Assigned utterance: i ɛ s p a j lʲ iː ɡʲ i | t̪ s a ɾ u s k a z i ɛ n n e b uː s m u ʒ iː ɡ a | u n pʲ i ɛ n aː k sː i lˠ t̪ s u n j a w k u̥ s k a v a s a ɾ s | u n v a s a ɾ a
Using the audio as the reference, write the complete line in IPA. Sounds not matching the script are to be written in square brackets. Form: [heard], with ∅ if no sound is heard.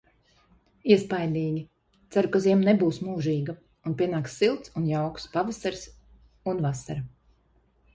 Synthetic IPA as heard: i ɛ s p a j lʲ iː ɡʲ i | t̪ s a ɾ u [∅] k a z i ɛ [m] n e b uː s m [uː] ʒ iː ɡ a | u n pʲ i ɛ n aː k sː i lˠ t̪ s u n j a w k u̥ s [p] a v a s a ɾ s | u n v a s a ɾ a